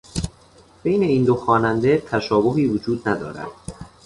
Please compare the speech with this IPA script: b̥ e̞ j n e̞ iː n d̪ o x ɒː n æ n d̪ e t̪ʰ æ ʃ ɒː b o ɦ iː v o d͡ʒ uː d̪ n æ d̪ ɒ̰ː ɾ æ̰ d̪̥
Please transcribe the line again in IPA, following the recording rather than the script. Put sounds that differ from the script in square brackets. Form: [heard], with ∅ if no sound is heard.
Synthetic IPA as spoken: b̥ e̞ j n e̞ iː n d̪ o x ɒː n æ n d̪ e t̪ʰ æ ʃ ɒː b o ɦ iː v o d͡ʒ uː d̪ n æ d̪ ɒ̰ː ɾ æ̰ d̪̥